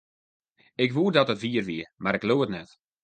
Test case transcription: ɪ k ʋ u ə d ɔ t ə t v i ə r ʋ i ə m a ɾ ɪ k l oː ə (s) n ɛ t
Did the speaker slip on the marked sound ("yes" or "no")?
yes